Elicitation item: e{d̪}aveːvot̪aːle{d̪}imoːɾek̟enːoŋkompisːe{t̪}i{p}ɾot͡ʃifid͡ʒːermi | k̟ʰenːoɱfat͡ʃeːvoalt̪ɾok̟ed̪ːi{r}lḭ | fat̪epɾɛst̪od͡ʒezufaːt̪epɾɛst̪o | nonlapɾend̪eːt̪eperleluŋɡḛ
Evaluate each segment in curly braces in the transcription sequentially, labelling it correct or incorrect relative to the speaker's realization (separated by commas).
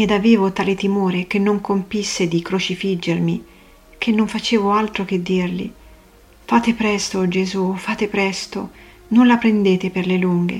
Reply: correct, incorrect, incorrect, incorrect, correct